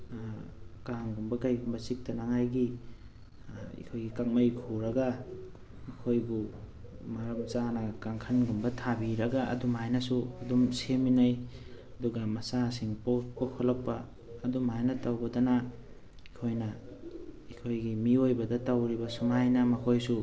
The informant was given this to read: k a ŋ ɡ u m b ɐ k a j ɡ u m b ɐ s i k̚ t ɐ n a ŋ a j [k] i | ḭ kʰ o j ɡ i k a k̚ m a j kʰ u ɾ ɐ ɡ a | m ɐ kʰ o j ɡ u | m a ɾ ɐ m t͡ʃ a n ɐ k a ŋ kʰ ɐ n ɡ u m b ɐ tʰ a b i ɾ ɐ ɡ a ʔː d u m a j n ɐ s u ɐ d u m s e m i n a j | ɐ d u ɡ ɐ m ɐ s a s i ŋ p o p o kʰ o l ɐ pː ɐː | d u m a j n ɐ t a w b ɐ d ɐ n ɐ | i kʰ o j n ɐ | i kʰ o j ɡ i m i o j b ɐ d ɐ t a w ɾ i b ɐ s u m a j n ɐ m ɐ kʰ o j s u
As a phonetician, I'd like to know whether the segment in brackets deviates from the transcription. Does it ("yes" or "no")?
yes